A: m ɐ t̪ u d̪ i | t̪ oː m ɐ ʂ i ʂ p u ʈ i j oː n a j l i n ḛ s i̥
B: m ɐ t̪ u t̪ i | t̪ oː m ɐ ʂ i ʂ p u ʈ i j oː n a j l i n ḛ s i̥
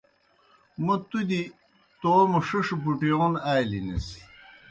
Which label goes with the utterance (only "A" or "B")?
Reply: A